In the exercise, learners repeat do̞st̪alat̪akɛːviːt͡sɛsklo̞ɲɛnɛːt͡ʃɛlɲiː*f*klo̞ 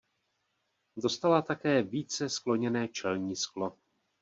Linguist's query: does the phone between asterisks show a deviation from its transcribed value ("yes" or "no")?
yes